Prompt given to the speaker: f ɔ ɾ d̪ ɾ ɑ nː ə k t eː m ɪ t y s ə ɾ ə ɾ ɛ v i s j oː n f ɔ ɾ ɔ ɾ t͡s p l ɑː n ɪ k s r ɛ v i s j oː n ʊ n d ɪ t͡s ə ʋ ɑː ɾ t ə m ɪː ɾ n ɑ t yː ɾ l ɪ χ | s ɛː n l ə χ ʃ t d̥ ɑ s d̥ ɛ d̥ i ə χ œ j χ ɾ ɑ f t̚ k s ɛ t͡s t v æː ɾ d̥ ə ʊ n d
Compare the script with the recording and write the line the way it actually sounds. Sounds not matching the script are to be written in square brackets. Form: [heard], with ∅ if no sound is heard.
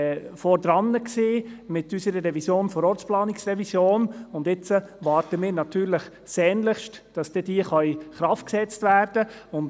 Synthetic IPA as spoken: f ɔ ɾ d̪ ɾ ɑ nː ə k [s] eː m ɪ t y s ə ɾ ə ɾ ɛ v i s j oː n f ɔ ɾ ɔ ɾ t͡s p l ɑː n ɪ k s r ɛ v i s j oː n ʊ n d ɪ t͡s ə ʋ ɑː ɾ t ə m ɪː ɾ n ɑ t yː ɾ l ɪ χ | s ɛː n l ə χ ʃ t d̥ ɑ s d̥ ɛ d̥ i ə χ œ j χ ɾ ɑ f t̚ k s ɛ t͡s t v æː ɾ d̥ ə ʊ n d